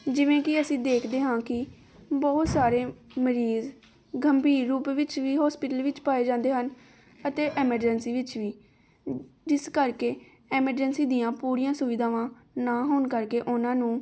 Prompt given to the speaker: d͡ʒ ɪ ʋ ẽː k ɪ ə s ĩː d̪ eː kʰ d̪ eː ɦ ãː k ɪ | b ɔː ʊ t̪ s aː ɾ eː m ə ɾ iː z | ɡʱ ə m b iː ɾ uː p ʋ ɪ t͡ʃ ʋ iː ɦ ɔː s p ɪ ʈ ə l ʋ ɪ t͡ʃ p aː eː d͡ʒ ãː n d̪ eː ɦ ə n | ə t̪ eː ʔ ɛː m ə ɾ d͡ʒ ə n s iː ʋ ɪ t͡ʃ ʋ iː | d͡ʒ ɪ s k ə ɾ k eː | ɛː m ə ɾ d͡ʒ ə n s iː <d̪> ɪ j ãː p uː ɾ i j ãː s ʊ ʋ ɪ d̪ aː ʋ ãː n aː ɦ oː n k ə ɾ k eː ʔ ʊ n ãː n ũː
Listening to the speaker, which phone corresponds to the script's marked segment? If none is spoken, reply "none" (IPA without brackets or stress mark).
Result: d̪